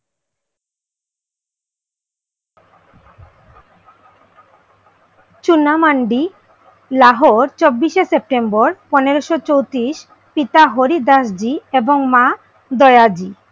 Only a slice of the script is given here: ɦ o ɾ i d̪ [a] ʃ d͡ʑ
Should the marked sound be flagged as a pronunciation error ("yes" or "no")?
no